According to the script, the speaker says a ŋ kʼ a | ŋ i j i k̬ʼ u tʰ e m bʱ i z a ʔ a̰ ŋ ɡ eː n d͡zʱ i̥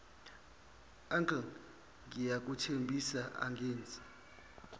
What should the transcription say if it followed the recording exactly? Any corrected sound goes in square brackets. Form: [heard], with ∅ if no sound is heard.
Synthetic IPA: a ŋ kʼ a | ŋ i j [a] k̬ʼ u tʰ e m bʱ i [s] a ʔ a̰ ŋ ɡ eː n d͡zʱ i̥

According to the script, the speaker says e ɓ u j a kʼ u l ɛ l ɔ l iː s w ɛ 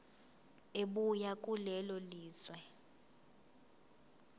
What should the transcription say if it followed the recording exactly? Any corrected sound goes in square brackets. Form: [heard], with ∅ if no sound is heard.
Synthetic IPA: e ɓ u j a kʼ u l ɛ l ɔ l iː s w ɛ

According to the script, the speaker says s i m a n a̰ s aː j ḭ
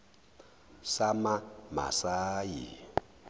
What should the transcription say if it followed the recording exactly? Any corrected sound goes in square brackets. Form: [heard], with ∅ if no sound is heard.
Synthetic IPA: s [a] m a [m] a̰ s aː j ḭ

